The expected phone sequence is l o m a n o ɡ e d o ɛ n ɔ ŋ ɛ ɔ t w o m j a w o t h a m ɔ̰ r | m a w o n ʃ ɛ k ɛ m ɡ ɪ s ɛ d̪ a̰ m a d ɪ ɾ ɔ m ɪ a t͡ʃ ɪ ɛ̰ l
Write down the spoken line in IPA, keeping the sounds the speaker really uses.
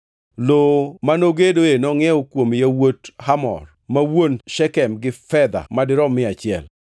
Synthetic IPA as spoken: l o m a n o ɡ e d o e n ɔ ŋ ɛ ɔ k w o m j a w o t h a m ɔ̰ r | m a w o n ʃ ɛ k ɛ m ɡ ɪ f ɛ d̪ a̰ m a d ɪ ɾ ɔ m ɪ a t͡ʃ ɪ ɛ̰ l

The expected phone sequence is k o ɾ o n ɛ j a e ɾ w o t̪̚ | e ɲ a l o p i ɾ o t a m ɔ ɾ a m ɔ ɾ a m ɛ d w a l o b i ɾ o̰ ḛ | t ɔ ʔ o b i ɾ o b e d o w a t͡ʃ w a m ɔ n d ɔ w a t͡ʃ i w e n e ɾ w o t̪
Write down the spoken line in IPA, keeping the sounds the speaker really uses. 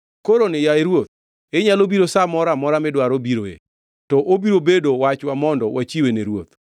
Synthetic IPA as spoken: k o ɾ o n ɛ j a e ɾ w o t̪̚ | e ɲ a l o b i ɾ o s a m ɔ ɾ a m ɔ ɾ a m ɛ d w a ɾ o b i ɾ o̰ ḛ | t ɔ ʔ o b i ɾ o b e d o w a t͡ʃ w a m ɔ n d ɔ w a t͡ʃ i w e n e ɾ w o t̪

